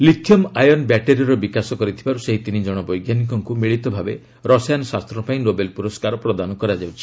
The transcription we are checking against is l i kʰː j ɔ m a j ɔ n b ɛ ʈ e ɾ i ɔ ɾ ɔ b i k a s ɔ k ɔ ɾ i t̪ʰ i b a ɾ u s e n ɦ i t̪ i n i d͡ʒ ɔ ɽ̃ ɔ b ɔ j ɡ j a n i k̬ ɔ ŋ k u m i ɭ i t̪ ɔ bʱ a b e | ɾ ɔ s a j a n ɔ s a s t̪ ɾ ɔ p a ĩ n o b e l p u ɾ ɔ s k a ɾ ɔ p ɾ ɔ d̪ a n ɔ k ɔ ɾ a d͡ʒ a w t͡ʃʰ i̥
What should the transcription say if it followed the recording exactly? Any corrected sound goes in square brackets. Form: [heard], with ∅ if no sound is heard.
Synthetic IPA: l i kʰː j ɔ m a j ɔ n b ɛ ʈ e ɾ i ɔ ɾ ɔ b i k a s ɔ k ɔ ɾ i t̪ʰ i b a ɾ u s e [∅] ɦ i t̪ i n i d͡ʒ ɔ ɽ̃ ɔ b ɔ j ɡ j a n i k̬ ɔ ŋ k u m i ɭ i t̪ ɔ bʱ a b e | ɾ ɔ s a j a n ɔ s a s t̪ ɾ ɔ p a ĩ n o b e l p u ɾ ɔ s k a ɾ ɔ p ɾ ɔ d̪ a n ɔ k ɔ ɾ a d͡ʒ a w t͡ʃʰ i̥